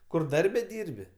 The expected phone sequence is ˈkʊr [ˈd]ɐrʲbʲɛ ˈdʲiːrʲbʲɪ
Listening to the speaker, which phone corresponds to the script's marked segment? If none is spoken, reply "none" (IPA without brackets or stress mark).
d